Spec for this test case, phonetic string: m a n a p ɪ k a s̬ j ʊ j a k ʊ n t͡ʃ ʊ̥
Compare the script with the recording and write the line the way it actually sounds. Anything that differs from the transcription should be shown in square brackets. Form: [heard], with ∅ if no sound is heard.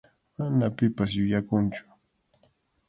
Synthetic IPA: m a n a p ɪ [p] a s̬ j ʊ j a k ʊ n t͡ʃ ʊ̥